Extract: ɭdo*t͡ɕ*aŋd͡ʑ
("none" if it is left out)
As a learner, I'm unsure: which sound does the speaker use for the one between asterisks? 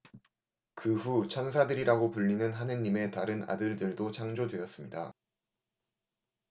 t͡ɕʰ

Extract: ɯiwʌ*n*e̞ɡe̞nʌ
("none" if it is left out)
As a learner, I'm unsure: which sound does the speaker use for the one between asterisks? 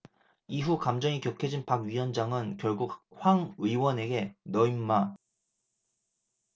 n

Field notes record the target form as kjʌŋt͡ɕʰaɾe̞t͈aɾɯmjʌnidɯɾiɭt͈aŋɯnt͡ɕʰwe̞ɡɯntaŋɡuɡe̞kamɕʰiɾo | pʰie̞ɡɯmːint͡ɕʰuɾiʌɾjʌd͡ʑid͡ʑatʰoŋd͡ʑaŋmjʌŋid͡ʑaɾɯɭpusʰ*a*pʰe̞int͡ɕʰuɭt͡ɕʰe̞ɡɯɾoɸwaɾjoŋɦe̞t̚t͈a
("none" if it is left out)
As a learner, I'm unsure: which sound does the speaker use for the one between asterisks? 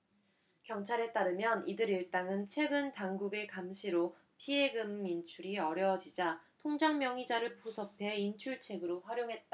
ʌ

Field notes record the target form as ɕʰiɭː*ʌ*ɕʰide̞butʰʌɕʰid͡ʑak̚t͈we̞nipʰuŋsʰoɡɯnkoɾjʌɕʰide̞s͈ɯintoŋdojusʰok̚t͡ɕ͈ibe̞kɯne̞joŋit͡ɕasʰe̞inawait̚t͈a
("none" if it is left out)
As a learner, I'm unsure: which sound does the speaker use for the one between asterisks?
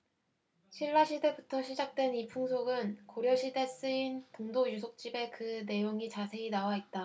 a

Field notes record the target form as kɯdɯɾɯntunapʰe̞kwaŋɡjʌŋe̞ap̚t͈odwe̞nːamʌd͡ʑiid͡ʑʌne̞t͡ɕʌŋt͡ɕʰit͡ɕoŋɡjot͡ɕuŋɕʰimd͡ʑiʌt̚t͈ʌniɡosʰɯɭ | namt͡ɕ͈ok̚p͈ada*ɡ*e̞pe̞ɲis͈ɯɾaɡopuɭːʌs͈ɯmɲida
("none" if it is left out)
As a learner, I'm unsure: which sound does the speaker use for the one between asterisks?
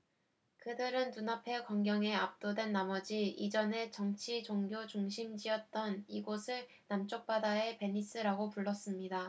none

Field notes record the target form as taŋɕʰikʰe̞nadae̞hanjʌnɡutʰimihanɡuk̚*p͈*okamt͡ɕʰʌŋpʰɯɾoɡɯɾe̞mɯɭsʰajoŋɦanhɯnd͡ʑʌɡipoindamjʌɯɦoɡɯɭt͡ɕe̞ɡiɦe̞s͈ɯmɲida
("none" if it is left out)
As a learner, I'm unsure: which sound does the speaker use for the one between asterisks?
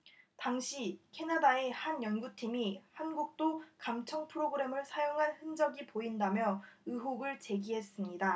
t͈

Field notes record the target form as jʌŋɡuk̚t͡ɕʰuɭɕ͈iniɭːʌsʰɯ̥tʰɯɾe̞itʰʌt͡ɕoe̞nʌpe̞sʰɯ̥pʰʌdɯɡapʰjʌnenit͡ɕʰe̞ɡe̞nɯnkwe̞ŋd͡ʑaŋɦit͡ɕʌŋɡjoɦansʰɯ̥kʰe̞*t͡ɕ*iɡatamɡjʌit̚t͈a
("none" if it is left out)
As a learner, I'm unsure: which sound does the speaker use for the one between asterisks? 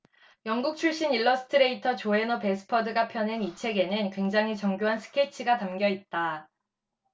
t͡ɕʰ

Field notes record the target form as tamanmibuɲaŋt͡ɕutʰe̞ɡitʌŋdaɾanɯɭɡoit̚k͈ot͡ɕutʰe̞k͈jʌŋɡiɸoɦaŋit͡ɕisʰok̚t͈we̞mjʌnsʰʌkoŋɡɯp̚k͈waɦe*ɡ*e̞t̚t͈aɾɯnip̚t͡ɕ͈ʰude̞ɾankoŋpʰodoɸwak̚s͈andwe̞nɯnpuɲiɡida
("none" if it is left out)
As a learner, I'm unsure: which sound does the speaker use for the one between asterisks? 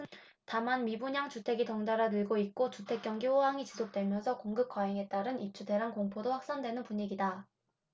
ŋ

